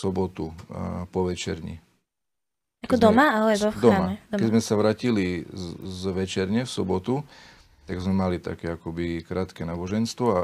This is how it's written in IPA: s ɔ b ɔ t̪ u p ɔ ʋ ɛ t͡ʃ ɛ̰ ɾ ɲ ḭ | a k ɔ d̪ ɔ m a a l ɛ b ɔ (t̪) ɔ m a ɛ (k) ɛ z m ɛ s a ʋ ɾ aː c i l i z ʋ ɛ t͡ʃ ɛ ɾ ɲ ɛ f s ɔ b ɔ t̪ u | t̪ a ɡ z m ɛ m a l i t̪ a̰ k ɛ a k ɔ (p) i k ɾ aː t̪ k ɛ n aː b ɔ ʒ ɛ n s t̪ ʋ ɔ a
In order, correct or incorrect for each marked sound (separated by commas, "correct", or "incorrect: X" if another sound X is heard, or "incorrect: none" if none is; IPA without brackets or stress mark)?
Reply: incorrect: d̪, correct, incorrect: b